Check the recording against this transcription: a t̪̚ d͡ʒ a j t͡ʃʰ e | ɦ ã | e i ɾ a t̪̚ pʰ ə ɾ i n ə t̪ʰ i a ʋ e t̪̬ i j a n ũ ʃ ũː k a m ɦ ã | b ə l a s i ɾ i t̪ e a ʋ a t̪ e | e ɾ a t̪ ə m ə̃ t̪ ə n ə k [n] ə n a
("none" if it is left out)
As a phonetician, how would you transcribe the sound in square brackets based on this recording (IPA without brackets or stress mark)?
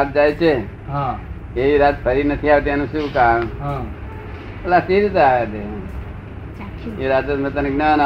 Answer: n